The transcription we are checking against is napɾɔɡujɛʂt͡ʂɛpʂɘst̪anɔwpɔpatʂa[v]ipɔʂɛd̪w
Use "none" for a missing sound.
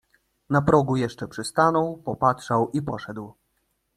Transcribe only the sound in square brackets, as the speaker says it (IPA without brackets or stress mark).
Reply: w